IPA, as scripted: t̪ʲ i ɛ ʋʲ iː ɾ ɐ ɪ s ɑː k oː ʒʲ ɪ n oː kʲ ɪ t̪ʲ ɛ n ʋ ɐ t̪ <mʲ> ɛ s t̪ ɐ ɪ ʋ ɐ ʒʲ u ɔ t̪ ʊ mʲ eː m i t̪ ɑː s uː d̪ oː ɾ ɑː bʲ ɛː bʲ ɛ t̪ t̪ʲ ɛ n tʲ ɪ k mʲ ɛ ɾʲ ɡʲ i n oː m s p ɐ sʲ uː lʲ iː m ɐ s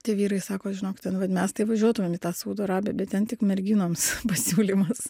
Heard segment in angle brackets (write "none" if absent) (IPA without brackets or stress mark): mʲ